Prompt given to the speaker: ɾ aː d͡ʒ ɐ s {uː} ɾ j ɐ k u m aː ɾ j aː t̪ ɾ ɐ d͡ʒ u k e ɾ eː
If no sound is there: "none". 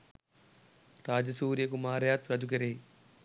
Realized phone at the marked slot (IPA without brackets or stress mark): uː